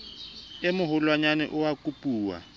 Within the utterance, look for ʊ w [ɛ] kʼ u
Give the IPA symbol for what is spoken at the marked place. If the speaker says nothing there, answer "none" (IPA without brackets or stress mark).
a